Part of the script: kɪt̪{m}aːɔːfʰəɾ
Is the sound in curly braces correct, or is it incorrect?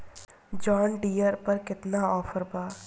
incorrect